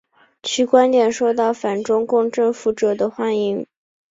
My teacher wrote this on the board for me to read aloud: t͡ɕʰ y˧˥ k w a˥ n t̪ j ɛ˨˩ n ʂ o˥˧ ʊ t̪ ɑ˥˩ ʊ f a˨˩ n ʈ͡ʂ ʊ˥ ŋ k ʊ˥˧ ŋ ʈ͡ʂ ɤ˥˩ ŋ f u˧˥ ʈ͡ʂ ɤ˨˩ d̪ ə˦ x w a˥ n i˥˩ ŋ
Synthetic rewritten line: t͡ɕʰ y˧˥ k w a˥ n t̪ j ɛ˨˩ n ʂ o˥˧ ʊ t̪ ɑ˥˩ ʊ f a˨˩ n ʈ͡ʂ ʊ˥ ŋ k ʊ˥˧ ŋ ʈ͡ʂ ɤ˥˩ ŋ f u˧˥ ʈ͡ʂ ɤ˨˩ d̪ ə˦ x w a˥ n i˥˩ ŋ